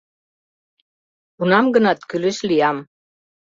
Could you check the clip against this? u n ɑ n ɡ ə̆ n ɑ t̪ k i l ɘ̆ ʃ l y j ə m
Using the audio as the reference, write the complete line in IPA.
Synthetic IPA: u n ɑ m ɡ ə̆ n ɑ t̪ k y l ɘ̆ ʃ l i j ɑ m